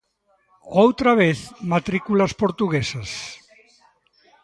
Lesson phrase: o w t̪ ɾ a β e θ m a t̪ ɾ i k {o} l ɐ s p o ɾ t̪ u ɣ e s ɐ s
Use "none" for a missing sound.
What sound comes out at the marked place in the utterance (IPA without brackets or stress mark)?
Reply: u